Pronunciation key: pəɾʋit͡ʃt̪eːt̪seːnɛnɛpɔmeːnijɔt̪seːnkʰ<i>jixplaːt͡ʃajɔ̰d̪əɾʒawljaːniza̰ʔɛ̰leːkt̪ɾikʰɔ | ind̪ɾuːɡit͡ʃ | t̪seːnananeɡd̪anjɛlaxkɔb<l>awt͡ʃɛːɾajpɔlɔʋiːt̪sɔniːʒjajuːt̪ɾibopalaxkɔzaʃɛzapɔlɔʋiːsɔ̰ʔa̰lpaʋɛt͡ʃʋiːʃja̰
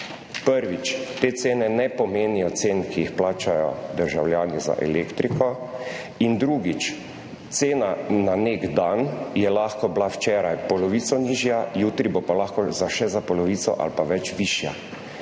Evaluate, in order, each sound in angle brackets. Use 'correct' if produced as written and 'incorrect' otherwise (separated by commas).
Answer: correct, correct